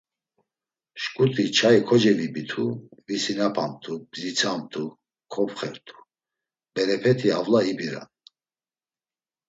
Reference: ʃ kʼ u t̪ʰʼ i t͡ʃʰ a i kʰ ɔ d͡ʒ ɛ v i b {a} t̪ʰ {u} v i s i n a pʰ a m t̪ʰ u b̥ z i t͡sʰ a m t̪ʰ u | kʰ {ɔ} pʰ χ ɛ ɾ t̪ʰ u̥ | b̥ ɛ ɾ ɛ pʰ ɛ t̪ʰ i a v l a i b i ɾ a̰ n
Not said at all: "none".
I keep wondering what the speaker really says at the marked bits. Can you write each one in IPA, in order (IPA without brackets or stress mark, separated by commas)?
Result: i, u, ɔ